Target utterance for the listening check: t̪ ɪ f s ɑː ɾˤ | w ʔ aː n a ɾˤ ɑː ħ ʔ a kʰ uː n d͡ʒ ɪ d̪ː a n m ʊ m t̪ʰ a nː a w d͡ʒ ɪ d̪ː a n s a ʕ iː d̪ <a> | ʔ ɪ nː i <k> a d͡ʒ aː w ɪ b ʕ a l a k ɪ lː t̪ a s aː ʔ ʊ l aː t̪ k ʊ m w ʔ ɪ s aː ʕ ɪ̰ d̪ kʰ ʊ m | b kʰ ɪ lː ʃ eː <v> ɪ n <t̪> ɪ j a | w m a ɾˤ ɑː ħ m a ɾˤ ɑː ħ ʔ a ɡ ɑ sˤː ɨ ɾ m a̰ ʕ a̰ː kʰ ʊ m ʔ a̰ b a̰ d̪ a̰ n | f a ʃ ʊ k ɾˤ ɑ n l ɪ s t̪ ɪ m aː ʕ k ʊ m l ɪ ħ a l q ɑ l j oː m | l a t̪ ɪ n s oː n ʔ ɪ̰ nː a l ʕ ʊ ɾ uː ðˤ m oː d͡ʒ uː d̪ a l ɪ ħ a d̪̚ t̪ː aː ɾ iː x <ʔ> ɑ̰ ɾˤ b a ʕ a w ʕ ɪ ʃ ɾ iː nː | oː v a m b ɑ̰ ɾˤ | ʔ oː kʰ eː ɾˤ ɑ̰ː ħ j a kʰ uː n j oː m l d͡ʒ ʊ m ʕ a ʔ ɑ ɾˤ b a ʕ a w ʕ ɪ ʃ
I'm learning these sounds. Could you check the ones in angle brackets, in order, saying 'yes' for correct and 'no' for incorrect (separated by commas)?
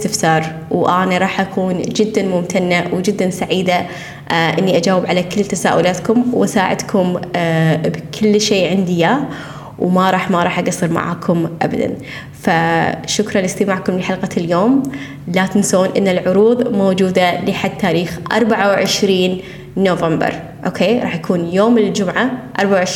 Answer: yes, no, no, no, yes